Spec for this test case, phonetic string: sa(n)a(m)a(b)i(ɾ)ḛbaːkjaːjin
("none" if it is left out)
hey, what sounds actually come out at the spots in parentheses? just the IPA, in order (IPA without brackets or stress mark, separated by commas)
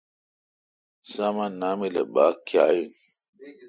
m, n, m, l